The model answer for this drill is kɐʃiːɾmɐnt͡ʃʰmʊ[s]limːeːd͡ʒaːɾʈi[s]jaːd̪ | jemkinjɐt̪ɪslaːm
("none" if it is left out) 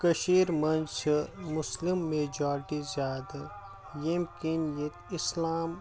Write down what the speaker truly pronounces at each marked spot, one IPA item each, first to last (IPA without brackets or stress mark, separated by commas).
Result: s, z